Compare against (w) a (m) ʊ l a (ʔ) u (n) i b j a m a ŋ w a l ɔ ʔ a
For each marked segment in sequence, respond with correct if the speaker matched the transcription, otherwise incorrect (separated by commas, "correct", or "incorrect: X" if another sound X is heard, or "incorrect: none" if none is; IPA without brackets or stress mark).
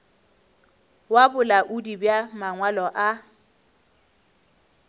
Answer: correct, incorrect: b, correct, incorrect: d